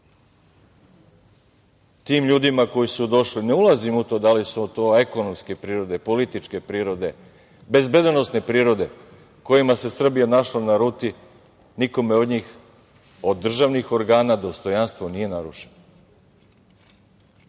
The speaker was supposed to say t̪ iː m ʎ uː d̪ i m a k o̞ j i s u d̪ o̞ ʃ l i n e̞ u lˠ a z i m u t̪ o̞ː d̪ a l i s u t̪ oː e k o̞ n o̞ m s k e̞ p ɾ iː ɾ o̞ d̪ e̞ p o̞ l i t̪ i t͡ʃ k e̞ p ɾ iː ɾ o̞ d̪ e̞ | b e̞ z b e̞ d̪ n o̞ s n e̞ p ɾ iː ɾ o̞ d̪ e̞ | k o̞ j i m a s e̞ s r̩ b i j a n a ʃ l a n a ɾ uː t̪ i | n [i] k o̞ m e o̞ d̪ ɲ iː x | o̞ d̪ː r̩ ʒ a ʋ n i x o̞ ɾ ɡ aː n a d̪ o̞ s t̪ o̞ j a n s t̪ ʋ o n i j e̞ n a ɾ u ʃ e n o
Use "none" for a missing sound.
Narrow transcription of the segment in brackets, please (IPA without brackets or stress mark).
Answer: i